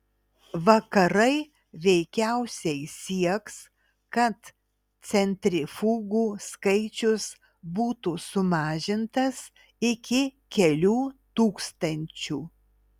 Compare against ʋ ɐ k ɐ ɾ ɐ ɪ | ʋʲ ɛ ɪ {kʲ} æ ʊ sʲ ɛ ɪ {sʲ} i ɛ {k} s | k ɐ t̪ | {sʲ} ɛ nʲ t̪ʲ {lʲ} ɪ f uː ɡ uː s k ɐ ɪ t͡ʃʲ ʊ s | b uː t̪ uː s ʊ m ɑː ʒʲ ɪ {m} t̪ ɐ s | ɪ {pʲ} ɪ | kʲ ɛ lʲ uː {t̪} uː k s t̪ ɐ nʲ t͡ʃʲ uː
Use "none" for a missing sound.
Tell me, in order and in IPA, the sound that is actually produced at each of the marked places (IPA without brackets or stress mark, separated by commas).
kʲ, sʲ, k, sʲ, ɾʲ, n, kʲ, t̪